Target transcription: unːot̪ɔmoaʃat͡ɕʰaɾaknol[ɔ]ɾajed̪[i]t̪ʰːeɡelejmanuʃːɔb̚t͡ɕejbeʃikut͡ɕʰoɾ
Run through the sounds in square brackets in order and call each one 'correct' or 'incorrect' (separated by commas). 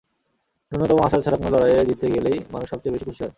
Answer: correct, correct